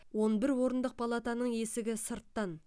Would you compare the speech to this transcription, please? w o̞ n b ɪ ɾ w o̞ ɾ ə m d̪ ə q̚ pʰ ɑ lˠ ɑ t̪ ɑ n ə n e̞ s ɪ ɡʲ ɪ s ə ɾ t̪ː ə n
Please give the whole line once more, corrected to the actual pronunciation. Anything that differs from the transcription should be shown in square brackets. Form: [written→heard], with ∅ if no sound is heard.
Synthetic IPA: w o̞ n b ɪ ɾ w o̞ ɾ ə [m→n] d̪ ə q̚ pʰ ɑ lˠ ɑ t̪ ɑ n ə [n→ɴ] e̞ s ɪ ɡʲ ɪ s ə ɾ t̪ː [ə→ɑ] n